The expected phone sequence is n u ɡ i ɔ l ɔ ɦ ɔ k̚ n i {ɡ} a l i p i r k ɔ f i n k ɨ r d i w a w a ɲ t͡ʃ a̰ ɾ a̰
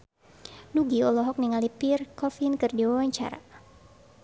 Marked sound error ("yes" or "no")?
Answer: yes